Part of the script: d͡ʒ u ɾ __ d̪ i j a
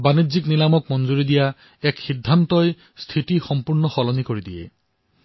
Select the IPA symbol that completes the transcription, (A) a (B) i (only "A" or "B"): B